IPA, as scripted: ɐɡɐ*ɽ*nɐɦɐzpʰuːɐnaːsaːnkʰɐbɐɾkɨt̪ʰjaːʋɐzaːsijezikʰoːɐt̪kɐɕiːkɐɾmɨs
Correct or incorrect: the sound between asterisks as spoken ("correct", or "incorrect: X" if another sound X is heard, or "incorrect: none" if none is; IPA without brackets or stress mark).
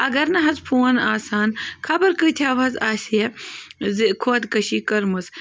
incorrect: ɾ